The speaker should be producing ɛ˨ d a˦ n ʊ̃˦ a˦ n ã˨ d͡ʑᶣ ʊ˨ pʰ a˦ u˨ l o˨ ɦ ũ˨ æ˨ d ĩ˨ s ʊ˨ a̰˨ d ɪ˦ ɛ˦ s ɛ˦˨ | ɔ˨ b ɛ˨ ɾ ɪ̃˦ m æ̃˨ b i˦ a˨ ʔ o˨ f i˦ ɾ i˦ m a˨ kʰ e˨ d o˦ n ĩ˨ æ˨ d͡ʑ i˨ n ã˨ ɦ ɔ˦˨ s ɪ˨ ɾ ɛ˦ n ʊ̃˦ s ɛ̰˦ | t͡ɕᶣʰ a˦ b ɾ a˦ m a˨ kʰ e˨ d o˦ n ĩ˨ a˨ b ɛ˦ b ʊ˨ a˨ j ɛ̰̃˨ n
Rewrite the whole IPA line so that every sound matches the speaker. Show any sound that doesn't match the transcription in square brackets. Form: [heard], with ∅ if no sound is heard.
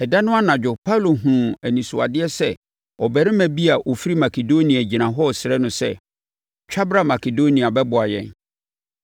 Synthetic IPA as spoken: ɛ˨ d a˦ n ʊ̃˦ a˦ n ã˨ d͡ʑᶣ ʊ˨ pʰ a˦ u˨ l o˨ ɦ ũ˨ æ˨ [n] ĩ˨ s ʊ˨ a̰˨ d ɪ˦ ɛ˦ s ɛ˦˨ | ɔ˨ b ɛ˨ ɾ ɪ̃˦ m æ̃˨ b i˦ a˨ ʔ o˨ f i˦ ɾ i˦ m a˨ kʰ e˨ d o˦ n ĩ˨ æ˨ d͡ʑ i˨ n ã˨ ɦ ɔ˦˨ s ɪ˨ ɾ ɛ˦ n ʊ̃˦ s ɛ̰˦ | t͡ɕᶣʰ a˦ b ɾ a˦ m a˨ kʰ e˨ d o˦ n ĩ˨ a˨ b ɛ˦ b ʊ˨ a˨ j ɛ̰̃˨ n

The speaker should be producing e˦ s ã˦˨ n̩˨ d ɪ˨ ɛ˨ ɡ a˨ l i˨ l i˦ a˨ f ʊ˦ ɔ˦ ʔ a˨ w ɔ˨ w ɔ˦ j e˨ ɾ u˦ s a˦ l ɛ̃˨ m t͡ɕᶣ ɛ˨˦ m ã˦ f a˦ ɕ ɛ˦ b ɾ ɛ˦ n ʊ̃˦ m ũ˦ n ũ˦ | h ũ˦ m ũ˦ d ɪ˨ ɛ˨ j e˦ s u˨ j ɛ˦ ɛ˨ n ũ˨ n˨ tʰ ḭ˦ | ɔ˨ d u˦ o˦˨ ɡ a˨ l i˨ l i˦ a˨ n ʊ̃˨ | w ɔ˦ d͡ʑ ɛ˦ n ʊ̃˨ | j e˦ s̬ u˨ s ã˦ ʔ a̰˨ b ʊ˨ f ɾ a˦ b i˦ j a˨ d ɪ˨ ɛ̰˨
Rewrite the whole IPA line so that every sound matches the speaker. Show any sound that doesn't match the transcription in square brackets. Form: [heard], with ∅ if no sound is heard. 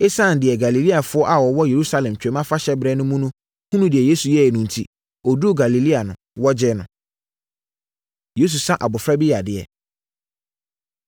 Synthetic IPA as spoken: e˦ s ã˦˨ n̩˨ d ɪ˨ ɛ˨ ɡ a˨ l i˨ l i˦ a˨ f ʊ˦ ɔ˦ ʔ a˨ w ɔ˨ w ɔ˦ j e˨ ɾ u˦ s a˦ l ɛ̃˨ m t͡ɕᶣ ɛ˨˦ m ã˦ f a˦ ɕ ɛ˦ b ɾ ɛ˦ n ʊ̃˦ m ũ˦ n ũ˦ | h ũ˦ [n] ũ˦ d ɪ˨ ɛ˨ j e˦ s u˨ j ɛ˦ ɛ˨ n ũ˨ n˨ tʰ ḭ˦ | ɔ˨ d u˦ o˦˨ ɡ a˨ l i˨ l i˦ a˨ n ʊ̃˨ | w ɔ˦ d͡ʑ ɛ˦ n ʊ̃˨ | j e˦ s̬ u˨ s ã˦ ʔ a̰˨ b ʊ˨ f ɾ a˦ b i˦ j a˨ d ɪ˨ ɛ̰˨

